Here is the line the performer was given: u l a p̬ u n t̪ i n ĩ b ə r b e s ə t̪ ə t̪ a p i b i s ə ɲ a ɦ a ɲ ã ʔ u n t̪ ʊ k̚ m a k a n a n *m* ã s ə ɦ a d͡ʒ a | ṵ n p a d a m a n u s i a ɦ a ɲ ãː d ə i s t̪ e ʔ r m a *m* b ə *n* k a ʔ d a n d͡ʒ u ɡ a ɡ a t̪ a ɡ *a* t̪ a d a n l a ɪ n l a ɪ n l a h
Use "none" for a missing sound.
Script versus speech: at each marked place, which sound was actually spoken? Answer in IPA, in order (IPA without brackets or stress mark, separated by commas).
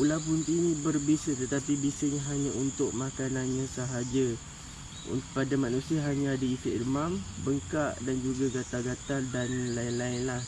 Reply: ɲ, m, ŋ, a